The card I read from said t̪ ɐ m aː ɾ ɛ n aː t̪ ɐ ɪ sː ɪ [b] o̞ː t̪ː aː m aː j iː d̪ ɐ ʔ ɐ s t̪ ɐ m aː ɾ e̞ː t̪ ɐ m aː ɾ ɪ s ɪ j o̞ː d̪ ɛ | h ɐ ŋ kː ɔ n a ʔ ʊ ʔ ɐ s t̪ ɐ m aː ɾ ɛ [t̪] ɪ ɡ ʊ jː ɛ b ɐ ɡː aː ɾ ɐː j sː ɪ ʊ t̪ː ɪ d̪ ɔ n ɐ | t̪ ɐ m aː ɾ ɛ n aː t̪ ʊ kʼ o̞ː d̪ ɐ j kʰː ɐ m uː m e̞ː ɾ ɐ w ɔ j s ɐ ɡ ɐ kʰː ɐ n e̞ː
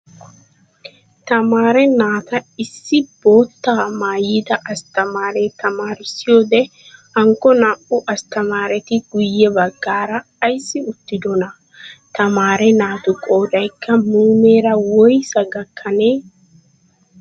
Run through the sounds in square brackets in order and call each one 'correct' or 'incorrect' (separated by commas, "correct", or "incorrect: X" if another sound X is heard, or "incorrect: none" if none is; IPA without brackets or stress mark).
correct, correct